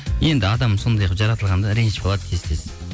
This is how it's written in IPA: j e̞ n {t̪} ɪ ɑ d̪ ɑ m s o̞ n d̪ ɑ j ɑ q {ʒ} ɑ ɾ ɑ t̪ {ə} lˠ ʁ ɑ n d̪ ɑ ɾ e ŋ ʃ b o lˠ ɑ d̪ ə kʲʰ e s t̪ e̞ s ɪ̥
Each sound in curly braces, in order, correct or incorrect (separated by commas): incorrect, correct, correct